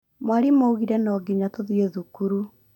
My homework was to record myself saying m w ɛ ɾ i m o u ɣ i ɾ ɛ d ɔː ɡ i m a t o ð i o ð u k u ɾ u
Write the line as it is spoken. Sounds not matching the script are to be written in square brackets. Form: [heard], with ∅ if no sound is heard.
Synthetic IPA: m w [a] ɾ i m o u ɣ i ɾ ɛ [n] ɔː ɡ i [ɲ] a t o ð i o ð u k u ɾ u